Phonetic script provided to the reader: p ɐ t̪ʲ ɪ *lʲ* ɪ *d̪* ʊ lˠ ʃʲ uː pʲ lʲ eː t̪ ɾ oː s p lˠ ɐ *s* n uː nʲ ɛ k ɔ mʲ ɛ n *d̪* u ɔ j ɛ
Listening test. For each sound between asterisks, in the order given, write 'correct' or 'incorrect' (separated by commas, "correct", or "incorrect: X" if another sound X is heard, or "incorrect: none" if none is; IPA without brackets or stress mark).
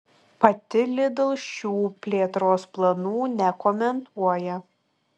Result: correct, correct, incorrect: none, incorrect: t̪